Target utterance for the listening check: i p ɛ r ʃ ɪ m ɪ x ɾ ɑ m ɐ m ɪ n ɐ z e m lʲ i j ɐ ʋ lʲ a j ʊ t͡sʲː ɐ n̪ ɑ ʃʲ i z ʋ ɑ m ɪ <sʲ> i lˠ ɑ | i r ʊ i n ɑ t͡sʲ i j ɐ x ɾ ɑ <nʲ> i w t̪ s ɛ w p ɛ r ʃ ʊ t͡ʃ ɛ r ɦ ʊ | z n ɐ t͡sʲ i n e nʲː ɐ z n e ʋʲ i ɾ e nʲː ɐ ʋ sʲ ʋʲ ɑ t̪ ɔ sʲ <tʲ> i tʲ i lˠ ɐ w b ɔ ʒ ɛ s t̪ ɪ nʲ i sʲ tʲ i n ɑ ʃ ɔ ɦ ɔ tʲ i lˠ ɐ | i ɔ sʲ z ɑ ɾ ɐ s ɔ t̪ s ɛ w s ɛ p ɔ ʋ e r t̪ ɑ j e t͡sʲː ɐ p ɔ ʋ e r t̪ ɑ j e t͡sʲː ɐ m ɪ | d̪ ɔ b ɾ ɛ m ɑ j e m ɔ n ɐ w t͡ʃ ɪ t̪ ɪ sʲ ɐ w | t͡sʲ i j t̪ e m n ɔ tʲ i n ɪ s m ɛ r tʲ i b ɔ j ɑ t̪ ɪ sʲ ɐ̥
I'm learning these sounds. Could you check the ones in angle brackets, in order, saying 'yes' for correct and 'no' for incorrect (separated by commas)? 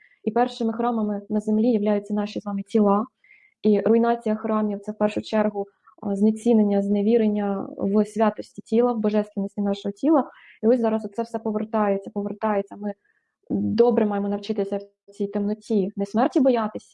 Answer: no, no, yes